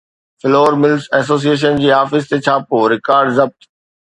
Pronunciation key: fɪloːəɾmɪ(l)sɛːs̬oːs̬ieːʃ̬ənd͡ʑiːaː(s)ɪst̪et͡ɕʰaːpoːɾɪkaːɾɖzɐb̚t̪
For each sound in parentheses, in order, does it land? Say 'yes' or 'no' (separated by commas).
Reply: yes, no